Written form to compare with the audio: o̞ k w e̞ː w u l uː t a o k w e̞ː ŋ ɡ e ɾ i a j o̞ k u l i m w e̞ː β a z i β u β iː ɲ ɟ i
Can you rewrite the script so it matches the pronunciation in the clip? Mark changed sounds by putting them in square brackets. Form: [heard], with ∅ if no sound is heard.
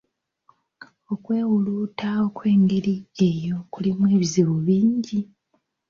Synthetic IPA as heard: o̞ k w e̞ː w u l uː t a o k w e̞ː ŋ ɡ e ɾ i [e] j o̞ k u l i m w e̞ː β [i] z i β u β iː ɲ ɟ i